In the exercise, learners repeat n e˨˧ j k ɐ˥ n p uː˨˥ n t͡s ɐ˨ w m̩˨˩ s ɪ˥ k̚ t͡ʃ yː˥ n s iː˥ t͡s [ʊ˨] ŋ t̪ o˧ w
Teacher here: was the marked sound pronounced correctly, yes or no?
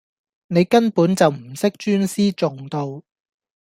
yes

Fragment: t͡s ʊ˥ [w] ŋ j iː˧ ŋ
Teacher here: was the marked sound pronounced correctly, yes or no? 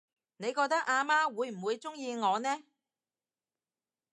no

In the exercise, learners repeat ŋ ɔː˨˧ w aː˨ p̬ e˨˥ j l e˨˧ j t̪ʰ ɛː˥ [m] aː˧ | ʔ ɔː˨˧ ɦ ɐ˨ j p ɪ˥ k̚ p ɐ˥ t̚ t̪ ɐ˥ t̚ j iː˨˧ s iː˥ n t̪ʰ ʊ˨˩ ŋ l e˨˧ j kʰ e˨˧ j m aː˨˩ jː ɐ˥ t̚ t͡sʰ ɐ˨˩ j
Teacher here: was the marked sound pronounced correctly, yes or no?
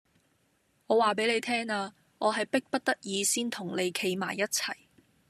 no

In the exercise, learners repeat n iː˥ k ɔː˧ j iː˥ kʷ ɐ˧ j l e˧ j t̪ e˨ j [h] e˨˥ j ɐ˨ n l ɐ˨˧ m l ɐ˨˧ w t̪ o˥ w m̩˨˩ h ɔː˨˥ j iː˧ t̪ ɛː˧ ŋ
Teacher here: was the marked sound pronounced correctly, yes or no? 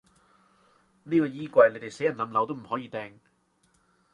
no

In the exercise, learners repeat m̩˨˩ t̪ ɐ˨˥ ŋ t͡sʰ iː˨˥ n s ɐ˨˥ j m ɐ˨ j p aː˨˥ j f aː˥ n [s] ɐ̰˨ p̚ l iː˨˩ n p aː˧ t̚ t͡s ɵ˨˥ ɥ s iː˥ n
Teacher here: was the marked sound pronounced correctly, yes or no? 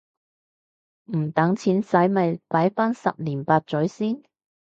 yes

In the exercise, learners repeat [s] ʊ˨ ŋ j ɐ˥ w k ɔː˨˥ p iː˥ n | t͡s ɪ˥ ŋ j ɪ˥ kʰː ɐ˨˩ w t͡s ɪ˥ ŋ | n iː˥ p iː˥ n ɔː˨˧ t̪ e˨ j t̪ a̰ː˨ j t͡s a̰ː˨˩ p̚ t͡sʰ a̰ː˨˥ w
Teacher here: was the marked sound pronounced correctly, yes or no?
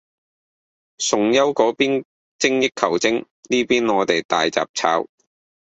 yes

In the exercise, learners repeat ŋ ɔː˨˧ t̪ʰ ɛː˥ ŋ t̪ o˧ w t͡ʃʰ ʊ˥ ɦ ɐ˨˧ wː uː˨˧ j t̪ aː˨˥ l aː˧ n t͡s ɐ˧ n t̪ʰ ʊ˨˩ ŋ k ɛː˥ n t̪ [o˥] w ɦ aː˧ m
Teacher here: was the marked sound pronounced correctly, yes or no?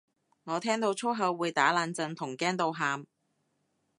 no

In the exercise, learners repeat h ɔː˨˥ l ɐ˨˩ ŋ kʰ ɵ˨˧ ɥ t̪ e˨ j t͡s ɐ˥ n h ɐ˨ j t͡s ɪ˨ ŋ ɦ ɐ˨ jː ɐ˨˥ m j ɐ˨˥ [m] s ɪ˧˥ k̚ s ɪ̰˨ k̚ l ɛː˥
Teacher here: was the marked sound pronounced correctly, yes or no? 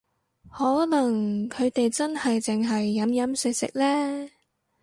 yes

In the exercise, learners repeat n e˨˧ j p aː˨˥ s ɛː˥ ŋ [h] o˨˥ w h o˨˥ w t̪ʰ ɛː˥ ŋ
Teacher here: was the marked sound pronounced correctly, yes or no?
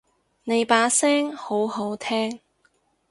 yes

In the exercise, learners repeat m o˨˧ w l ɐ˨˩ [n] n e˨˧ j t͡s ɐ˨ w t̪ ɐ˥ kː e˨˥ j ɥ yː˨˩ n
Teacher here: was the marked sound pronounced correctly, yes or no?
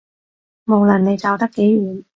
yes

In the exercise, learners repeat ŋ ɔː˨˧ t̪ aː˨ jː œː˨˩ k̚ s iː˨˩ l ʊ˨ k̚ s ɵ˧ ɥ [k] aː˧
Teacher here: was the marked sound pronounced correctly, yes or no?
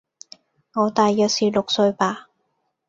no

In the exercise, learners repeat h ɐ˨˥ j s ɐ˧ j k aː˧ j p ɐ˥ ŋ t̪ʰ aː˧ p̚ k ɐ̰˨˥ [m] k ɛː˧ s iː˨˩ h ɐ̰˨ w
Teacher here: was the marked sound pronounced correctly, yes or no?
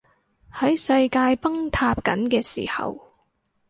no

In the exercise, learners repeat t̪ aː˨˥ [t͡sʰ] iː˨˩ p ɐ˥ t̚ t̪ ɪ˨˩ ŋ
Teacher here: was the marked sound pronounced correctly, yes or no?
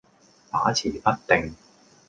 yes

